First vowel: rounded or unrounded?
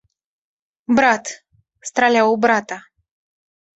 unrounded